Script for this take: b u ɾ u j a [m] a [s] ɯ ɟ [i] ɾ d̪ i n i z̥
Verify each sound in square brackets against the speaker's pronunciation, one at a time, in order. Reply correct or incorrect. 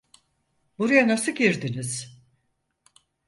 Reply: incorrect, correct, correct

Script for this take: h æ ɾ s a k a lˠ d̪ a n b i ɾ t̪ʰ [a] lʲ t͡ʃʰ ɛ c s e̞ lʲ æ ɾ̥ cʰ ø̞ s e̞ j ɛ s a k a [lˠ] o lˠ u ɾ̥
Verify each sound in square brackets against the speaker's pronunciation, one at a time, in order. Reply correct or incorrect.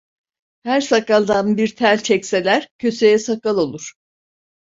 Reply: incorrect, correct

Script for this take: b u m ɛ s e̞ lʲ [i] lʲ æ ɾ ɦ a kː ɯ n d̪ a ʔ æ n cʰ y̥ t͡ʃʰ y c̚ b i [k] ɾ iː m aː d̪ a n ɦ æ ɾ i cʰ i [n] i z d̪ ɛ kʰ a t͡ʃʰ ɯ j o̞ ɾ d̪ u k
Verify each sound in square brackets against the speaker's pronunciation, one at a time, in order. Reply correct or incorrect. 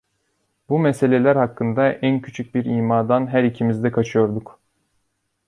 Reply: incorrect, incorrect, incorrect

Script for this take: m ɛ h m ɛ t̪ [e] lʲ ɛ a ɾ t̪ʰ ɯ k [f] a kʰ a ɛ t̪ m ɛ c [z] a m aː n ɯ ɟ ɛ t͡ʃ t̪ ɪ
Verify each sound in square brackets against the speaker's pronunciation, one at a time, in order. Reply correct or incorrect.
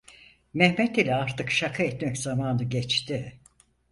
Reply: incorrect, incorrect, correct

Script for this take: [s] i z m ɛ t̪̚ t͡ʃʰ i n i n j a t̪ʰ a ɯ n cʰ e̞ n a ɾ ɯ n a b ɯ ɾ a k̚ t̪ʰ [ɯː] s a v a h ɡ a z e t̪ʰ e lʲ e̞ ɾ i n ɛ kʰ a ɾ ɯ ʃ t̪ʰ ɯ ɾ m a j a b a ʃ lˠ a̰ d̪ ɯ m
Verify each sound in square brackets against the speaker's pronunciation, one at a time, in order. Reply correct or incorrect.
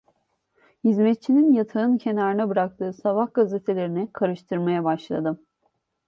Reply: incorrect, correct

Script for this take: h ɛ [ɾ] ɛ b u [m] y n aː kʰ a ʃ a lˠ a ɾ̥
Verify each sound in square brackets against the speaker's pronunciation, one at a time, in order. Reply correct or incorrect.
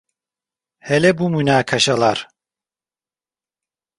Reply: incorrect, correct

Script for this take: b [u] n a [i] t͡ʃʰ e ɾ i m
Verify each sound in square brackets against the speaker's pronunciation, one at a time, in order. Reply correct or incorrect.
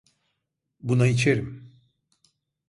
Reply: correct, correct

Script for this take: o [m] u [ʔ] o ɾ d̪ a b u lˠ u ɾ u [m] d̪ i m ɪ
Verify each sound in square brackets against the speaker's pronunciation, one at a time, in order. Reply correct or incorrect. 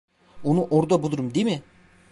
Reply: incorrect, correct, correct

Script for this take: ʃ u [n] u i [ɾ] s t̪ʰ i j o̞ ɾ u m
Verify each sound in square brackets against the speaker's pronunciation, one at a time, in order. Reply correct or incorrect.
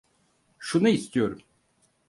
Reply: correct, incorrect

